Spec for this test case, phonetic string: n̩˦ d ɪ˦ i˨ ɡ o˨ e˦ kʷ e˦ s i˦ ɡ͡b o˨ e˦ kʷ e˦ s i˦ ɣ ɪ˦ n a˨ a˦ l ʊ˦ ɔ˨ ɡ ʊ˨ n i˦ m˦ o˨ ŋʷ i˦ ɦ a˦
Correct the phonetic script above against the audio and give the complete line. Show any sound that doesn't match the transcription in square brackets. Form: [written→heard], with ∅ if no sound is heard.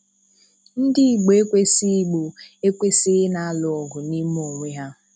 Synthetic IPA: n̩˦ d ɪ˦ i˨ [ɡ→ɡ͡b] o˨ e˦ kʷ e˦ s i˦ ɡ͡b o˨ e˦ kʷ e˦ s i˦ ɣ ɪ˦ n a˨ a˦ l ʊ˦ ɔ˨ ɡ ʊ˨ n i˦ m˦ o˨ ŋʷ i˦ ɦ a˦

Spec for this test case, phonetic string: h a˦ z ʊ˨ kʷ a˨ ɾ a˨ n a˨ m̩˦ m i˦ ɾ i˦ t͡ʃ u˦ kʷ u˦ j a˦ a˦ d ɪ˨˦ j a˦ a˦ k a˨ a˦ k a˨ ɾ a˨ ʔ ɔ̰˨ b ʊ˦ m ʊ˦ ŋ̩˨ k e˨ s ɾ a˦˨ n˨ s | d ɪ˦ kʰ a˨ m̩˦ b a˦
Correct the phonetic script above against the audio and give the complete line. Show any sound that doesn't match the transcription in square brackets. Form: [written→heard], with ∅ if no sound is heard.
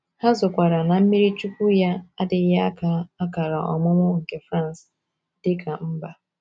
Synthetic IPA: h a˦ z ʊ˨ kʷ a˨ ɾ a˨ n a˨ m̩˦ m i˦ ɾ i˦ t͡ʃ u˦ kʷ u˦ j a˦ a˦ d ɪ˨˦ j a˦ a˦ k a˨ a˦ k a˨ ɾ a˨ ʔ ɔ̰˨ [b→m] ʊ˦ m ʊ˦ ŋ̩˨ k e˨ [s→f] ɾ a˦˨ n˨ s | d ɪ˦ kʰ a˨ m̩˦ b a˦

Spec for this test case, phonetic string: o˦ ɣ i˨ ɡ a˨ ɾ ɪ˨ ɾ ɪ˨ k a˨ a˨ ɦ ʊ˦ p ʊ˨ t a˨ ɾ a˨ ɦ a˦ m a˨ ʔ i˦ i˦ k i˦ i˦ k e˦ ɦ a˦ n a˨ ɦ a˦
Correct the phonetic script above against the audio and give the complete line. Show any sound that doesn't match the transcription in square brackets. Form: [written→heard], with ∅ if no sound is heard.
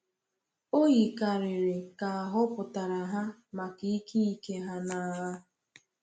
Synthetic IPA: o˦ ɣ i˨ [ɡ→k] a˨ ɾ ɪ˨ ɾ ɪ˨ k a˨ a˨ ɦ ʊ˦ p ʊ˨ t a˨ ɾ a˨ ɦ a˦ m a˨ [ʔ→k] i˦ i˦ k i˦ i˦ k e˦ ɦ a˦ n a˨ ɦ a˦

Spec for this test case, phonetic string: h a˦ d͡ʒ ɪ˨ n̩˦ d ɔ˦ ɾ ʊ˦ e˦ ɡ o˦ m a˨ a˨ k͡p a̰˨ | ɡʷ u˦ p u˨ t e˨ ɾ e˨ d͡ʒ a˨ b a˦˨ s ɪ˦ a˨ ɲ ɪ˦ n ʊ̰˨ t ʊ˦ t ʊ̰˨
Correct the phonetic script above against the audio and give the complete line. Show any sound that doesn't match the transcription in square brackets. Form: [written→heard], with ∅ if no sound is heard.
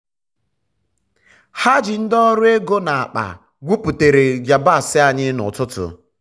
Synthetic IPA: h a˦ d͡ʒ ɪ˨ n̩˦ d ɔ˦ ɾ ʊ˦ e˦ ɡ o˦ [m→n] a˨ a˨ k͡p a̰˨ | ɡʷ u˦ p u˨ t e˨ ɾ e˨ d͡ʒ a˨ b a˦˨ s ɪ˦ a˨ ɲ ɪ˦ n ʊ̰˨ t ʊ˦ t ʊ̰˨

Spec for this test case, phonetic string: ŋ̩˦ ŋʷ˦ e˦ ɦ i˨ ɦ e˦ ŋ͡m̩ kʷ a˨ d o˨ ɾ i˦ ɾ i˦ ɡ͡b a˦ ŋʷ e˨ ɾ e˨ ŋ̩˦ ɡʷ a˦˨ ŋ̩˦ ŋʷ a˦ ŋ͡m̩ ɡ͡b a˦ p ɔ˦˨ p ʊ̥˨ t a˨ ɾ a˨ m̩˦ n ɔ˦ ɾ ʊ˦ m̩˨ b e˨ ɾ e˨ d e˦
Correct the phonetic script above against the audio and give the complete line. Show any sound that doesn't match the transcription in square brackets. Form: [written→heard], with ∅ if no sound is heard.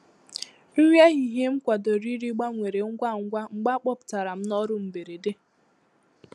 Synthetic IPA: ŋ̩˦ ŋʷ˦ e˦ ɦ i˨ ɦ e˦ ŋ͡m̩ kʷ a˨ d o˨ ɾ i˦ ɾ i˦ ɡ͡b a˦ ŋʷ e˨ ɾ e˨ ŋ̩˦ ɡʷ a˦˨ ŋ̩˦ [ŋʷ→ɡʷ] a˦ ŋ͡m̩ ɡ͡b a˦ [p→k͡p] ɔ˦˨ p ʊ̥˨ t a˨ ɾ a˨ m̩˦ n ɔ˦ ɾ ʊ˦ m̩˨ b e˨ ɾ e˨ d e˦

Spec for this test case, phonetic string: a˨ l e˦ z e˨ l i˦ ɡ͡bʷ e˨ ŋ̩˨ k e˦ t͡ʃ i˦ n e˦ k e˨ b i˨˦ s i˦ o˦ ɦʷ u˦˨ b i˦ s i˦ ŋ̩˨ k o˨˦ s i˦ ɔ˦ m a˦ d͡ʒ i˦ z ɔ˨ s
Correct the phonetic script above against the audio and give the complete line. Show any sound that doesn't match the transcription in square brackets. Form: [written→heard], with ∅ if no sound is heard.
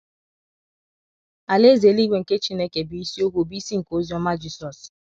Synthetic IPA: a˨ l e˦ z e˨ l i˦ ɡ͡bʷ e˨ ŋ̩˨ k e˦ t͡ʃ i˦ n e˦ k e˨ b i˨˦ s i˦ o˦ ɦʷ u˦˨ b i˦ s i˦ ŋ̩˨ k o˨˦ [s→z] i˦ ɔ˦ m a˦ d͡ʒ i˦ [z→s] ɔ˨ s

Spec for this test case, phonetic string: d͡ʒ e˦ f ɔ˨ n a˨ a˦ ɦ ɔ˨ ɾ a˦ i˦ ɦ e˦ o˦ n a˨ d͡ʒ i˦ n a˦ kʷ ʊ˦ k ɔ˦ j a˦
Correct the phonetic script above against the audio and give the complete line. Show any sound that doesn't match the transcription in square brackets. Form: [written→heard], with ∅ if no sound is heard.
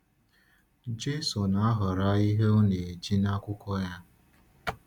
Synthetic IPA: d͡ʒ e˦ [f→s] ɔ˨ n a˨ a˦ ɦ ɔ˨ ɾ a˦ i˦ ɦ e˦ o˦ n [a˨→e˨] d͡ʒ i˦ n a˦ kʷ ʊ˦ k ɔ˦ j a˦

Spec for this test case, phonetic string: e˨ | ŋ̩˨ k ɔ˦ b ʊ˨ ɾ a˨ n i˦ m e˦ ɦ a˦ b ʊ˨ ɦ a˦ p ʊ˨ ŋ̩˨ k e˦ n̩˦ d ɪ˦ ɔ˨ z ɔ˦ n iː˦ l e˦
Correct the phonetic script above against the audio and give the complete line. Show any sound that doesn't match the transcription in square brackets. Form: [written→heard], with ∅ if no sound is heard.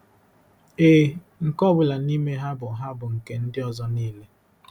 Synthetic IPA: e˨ | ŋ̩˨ k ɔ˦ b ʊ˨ [ɾ→l] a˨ n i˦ m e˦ ɦ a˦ b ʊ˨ ɦ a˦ [p→b] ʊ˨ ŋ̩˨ k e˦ n̩˦ d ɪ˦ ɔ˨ z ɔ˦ n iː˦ l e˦

